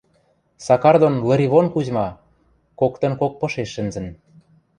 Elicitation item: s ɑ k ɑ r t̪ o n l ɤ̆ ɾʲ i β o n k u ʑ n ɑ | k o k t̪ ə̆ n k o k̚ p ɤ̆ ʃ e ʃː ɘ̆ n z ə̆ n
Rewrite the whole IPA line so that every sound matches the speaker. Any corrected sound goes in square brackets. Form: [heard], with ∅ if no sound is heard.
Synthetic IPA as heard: s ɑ k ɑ r [d̪] o n l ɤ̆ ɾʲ i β o n k u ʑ [m] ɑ | k o k t̪ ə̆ n k o k̚ p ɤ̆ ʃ e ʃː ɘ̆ n z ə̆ n